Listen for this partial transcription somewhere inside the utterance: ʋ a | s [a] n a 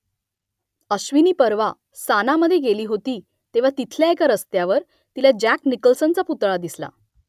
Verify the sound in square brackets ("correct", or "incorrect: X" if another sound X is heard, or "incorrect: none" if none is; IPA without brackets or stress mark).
correct